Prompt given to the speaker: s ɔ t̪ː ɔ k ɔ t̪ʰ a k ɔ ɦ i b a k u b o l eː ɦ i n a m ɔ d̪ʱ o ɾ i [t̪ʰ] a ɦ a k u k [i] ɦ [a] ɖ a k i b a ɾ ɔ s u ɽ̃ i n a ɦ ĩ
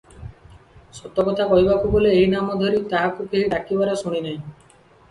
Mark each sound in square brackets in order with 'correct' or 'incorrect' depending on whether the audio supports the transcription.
incorrect: t̪, incorrect: e, incorrect: i

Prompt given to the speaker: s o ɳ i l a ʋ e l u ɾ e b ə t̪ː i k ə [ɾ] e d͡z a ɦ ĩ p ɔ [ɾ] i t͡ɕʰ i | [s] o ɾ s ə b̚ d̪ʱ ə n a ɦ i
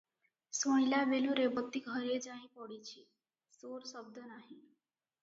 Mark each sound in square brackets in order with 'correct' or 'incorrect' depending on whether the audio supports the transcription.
correct, incorrect: ɽ, correct

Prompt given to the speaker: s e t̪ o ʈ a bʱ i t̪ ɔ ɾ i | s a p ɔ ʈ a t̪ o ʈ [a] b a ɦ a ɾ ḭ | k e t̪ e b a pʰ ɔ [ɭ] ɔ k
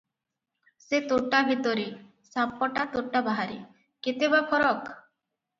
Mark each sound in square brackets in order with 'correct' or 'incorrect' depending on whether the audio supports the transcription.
correct, incorrect: ɾ

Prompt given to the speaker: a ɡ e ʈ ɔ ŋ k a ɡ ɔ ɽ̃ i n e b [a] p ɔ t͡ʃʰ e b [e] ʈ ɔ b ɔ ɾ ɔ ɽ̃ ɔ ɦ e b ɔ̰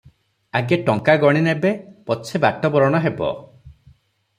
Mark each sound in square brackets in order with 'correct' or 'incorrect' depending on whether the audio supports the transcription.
incorrect: e, incorrect: a

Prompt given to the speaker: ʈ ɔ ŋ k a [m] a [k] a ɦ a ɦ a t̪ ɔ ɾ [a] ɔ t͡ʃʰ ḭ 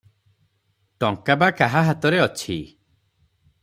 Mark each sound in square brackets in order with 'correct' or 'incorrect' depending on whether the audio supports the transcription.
incorrect: b, correct, incorrect: e

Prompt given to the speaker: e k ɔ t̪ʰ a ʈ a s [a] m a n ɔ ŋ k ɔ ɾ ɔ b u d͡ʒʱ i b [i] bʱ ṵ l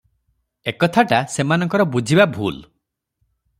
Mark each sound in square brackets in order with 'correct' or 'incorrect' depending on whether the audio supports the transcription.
incorrect: e, incorrect: a

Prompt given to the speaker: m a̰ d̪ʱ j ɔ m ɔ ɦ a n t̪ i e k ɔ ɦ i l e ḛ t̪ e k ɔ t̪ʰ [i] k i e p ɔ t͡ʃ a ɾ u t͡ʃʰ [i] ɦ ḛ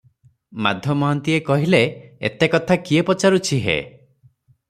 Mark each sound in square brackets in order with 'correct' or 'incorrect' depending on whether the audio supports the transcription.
incorrect: a, correct

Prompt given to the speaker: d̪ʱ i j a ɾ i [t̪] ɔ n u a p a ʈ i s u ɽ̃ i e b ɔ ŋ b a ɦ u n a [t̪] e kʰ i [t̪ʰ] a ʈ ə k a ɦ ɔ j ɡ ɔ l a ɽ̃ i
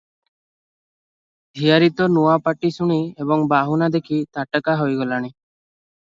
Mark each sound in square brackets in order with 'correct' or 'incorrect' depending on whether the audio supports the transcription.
correct, incorrect: d̪, incorrect: t̪

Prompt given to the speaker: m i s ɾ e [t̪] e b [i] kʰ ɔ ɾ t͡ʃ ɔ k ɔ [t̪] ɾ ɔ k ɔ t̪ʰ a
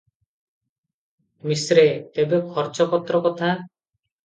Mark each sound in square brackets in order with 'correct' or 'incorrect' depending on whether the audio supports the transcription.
correct, incorrect: e, correct

